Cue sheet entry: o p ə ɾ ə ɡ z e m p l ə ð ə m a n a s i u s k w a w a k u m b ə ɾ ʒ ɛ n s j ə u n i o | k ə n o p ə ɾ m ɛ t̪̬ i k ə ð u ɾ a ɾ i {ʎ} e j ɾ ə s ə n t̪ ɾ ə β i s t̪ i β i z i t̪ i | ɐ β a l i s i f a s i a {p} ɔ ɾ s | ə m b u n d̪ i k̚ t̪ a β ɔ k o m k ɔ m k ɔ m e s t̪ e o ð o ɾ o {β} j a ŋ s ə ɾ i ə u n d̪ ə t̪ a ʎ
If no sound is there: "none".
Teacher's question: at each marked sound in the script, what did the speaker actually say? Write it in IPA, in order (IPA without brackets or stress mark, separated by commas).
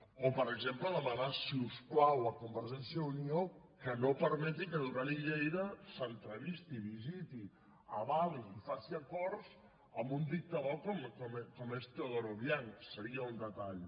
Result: ʎ, k, β